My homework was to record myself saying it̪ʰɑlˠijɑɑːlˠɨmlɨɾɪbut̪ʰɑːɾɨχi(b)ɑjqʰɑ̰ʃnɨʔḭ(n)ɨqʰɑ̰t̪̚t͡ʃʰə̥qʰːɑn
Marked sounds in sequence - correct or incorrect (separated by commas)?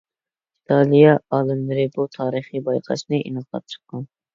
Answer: correct, correct